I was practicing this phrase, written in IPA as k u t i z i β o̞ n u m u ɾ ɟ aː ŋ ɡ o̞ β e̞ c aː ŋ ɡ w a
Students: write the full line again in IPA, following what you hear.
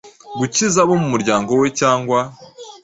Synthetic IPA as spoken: ɡ u c i z a β o̞ m u m u ɾ ɟ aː ŋ ɡ o̞ w e̞ c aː ŋ ɡ w a